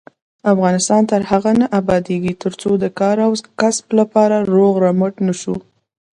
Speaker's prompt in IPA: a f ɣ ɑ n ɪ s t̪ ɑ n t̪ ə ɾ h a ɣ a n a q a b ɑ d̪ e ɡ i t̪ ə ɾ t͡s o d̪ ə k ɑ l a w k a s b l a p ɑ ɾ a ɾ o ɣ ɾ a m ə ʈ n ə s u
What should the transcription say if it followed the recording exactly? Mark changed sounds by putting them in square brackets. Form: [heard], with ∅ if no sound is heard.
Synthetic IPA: a f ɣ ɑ n ɪ s t̪ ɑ n t̪ ə ɾ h a ɣ a n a [ʔ] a b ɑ d̪ e ɡ i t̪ ə ɾ t͡s o d̪ ə k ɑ [ɾ] a w k a s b l a p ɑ ɾ a ɾ o ɣ ɾ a m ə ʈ n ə [ʃ] u